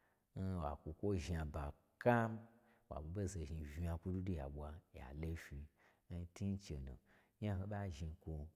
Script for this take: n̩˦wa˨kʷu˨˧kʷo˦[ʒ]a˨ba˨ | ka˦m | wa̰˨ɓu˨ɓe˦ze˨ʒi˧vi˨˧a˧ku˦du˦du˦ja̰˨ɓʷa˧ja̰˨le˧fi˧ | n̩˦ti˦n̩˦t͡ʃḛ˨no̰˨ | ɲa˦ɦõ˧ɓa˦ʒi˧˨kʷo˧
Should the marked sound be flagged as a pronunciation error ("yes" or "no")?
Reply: no